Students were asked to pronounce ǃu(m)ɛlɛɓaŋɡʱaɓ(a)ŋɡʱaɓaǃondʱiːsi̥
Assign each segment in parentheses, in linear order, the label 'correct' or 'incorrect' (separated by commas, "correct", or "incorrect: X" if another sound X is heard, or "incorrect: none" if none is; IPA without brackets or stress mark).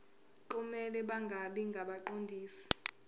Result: correct, incorrect: i